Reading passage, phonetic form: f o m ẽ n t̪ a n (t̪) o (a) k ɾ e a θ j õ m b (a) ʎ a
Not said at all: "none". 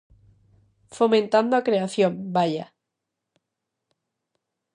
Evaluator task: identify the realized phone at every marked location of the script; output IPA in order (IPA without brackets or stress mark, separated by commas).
d̪, a, a